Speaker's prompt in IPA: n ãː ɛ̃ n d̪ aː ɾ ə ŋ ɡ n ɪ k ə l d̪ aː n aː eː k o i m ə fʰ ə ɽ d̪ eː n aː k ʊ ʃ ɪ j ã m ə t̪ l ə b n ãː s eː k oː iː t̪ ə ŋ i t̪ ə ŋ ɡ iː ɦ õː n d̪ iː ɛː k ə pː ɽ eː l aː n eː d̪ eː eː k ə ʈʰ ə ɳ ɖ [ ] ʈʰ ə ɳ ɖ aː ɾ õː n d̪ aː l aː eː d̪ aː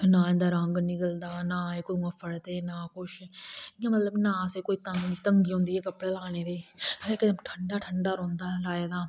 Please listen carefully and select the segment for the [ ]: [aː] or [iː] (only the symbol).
aː